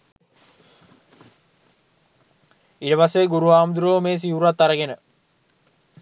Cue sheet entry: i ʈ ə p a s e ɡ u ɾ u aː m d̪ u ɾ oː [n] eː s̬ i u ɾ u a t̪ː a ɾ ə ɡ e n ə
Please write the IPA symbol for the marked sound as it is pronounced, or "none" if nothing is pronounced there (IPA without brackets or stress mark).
m